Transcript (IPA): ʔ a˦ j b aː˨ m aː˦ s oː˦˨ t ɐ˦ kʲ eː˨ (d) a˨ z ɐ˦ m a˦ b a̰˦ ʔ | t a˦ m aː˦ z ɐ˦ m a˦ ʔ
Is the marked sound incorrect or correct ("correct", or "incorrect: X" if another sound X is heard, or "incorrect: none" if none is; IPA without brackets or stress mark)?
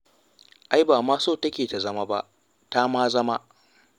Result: incorrect: t